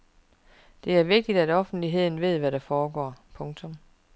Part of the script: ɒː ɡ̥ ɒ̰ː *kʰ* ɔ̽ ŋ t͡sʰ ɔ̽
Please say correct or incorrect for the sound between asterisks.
incorrect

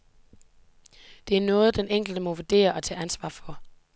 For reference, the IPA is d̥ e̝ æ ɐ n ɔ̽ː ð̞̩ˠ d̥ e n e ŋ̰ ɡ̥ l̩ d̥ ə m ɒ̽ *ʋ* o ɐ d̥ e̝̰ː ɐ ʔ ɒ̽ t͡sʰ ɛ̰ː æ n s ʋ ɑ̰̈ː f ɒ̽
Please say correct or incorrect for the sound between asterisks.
correct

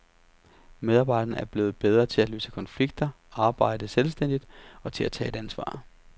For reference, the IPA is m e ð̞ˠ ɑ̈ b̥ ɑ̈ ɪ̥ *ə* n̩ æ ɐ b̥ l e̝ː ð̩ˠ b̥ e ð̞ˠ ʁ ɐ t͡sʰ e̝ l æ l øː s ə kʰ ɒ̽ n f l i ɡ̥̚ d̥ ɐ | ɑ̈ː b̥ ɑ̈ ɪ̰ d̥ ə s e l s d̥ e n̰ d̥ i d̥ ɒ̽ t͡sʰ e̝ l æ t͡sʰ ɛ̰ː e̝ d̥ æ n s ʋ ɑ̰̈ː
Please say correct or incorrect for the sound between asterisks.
incorrect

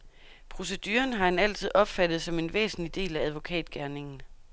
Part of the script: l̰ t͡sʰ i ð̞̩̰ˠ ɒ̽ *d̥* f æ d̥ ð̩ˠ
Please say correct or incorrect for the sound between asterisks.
incorrect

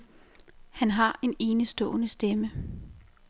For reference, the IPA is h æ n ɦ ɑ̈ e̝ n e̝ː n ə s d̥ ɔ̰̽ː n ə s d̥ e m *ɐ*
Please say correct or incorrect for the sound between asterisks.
incorrect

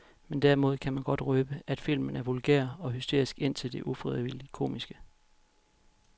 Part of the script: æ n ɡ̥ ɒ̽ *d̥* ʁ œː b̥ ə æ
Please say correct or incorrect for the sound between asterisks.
correct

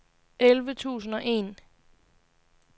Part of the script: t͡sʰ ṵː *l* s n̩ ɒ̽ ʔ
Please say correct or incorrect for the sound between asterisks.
incorrect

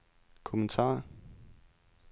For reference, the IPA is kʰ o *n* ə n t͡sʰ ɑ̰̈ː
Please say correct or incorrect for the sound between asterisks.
incorrect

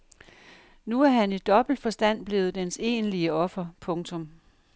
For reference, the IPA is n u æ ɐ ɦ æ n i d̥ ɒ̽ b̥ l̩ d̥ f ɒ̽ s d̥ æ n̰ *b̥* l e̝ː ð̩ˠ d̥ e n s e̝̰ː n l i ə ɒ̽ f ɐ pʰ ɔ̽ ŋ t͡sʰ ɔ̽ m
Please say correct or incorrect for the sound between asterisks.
correct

